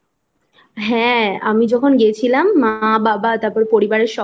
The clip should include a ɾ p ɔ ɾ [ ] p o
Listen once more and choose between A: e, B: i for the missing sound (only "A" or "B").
A